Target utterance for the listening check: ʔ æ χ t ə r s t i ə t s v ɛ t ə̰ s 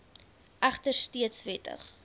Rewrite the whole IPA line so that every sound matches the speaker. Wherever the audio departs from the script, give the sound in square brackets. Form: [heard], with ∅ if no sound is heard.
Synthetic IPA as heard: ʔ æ χ t ə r s t i ə t s v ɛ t ə̰ [χ]